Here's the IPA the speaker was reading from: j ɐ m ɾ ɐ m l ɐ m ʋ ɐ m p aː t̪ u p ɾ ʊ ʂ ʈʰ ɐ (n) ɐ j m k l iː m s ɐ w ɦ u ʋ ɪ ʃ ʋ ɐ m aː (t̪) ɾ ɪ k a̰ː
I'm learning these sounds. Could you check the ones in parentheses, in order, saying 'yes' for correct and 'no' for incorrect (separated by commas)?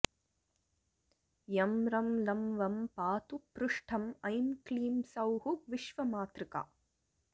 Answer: no, yes